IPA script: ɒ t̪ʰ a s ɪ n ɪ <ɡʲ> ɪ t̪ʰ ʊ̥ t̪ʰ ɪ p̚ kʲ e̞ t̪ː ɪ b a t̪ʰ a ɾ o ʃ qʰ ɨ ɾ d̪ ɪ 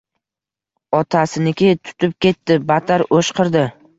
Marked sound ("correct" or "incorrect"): incorrect